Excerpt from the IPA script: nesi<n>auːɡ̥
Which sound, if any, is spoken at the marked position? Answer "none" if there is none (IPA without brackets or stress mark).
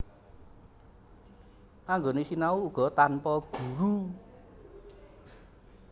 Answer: n